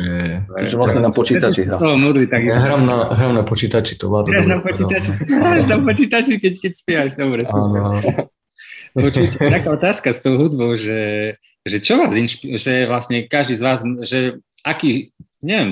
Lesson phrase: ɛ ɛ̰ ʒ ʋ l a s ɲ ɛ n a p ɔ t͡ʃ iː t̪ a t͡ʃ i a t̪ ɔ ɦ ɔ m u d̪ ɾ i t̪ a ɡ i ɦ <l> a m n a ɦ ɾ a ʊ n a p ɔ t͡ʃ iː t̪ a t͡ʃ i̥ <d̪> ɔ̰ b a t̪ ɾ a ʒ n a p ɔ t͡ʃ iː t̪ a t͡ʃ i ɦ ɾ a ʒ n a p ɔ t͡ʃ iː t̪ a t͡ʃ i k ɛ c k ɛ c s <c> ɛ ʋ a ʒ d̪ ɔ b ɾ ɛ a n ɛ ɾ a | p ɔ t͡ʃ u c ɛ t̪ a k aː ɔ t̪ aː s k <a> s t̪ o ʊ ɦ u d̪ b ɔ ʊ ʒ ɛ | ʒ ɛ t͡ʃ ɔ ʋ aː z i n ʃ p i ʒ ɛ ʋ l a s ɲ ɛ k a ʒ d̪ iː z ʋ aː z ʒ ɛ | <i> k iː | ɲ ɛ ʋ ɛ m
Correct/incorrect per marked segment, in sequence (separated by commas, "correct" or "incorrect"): incorrect, incorrect, incorrect, correct, incorrect